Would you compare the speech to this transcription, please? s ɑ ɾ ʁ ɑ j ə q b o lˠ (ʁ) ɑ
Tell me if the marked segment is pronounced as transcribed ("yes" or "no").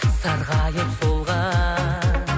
yes